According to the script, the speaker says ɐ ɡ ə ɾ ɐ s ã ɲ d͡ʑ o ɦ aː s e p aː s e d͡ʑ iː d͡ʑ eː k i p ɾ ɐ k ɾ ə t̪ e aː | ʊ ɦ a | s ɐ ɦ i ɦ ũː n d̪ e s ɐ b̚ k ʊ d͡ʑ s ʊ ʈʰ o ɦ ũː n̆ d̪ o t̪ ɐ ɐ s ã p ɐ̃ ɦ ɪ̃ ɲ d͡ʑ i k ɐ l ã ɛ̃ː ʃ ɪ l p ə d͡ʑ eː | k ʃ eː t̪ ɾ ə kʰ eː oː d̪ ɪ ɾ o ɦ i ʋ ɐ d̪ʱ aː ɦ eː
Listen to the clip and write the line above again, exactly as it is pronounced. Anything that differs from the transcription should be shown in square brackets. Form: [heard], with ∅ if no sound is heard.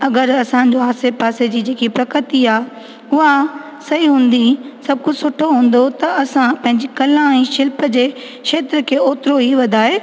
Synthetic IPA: ɐ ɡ ə ɾ ɐ s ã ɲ d͡ʑ o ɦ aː s e p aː s e d͡ʑ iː d͡ʑ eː k i p ɾ ɐ k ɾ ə t̪ [i] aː | ʊ ɦ a | s ɐ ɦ i ɦ ũː n d̪ [i] s ɐ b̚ k ʊ d͡ʑ s ʊ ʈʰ o ɦ ũː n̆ d̪ o t̪ ɐ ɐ s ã p ɐ̃ ɦ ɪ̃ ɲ d͡ʑ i k ɐ l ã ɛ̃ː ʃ ɪ l p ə d͡ʑ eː | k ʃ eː t̪ ɾ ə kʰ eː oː [t̪] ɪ ɾ o ɦ i ʋ ɐ d̪ʱ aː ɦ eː